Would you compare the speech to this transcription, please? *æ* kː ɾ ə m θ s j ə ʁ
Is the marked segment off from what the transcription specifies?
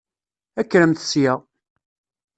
no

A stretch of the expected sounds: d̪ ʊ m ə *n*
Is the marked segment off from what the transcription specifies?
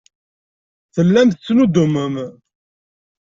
yes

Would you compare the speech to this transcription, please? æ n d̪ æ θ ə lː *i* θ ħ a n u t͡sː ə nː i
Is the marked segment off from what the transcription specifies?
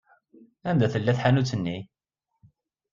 yes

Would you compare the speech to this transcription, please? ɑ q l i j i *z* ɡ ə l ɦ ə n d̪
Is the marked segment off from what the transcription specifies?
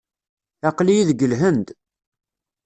yes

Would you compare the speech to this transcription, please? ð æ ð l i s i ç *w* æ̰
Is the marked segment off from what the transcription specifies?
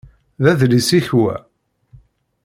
no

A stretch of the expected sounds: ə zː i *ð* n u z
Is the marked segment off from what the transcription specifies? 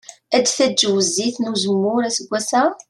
yes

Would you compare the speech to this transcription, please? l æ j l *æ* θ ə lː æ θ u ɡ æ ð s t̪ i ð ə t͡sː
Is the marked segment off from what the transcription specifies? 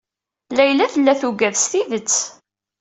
no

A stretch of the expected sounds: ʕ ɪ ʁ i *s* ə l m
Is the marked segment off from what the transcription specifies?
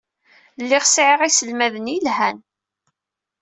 no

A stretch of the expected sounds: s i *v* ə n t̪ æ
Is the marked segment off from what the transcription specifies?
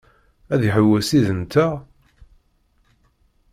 yes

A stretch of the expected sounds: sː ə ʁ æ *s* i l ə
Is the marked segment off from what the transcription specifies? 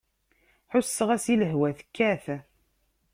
no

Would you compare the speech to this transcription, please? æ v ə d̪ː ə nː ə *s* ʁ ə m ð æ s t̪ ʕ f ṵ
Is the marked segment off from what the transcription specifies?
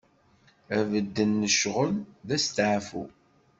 yes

